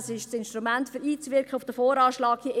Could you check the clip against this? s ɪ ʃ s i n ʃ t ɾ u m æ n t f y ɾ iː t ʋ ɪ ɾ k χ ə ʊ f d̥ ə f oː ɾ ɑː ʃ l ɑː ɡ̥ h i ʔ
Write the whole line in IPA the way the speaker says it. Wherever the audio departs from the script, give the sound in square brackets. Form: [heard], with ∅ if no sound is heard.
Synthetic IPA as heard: s ɪ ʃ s [ɪ] n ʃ t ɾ u m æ n t f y ɾ iː [t͡s] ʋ ɪ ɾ k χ ə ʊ f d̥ ə f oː ɾ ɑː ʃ l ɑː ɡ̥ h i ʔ